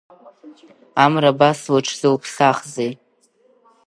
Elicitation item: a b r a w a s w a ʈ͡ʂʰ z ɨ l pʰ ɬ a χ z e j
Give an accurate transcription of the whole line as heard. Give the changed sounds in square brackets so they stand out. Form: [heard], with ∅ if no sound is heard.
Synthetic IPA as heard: a [m] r a [b] a s w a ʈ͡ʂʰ z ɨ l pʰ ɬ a χ z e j